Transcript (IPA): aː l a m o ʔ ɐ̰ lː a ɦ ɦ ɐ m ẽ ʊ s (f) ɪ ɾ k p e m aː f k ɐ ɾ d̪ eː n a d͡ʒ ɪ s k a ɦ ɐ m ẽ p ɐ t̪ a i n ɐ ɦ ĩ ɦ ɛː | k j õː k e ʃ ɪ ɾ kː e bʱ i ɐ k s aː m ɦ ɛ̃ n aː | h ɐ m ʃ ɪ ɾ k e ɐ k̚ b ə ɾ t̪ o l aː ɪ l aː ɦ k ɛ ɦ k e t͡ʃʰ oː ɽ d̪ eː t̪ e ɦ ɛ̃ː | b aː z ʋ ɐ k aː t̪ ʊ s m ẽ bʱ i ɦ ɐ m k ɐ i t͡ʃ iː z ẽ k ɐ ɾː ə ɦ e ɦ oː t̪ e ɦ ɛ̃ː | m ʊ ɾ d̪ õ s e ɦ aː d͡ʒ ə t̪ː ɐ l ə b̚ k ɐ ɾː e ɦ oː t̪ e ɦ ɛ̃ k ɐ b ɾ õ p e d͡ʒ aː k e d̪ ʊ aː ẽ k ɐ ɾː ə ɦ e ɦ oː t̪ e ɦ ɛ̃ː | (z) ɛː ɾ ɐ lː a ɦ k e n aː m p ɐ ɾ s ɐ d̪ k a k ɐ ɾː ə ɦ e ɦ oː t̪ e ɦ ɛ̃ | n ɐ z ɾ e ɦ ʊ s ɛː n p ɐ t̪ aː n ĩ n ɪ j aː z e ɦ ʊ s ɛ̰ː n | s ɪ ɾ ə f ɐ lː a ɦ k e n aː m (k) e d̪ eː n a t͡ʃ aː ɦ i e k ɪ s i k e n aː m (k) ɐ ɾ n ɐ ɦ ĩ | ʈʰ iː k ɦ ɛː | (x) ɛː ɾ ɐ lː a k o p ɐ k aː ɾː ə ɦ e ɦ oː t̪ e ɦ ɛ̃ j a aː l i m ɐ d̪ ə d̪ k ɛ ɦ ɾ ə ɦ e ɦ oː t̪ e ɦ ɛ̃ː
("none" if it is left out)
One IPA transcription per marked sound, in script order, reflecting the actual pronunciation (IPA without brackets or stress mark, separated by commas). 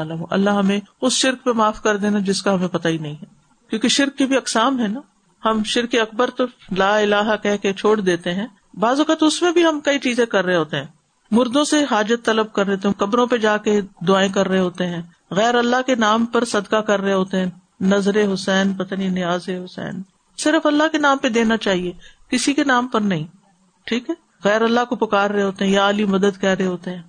ʃ, ɣ, p, p, ɣ